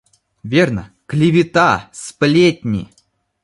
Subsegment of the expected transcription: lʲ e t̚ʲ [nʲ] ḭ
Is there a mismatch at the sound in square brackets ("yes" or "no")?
no